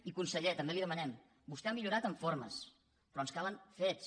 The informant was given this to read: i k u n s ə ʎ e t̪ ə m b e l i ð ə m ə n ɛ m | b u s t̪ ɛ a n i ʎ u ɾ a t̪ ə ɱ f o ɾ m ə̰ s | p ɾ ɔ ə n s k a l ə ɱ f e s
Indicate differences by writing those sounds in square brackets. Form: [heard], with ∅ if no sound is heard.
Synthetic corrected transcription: i k u n s ə ʎ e t̪ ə m b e l i ð ə m ə n ɛ m | b u s t̪ ɛ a [m] i ʎ u ɾ a t̪ ə ɱ f o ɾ m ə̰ s | p ɾ ɔ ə n s k a l ə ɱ f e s